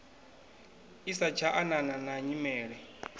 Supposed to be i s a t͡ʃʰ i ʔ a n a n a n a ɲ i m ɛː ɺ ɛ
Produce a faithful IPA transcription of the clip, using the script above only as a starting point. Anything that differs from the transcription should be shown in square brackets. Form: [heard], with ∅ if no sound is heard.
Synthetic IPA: i s a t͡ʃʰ [a] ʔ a n a n a n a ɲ i m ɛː ɺ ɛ